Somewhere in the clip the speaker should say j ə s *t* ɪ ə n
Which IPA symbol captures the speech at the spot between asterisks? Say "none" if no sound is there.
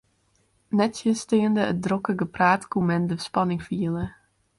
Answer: t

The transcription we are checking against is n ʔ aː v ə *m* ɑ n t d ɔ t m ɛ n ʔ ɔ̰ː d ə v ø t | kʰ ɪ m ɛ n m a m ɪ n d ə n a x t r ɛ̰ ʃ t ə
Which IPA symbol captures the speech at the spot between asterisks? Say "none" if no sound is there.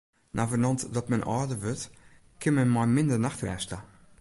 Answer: n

